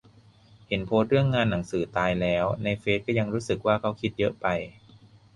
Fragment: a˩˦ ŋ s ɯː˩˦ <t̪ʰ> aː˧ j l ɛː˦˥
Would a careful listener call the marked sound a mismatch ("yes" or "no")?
yes